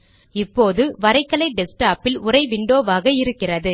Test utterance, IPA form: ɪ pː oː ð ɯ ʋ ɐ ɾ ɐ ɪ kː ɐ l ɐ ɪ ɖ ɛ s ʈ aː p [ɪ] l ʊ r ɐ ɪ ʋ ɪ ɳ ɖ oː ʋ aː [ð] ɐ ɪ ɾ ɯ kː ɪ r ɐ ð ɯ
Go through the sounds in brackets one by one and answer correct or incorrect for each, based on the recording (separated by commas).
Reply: correct, incorrect